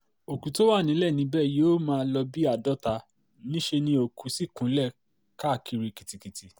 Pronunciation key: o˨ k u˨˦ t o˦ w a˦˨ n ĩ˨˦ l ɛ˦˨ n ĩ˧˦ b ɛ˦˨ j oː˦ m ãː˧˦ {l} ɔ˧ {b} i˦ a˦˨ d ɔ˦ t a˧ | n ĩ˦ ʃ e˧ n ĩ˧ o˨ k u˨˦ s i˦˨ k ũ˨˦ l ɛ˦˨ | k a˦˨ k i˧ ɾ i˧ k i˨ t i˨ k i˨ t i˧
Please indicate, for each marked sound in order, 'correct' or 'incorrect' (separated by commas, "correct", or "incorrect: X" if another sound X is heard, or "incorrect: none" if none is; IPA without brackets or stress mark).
correct, correct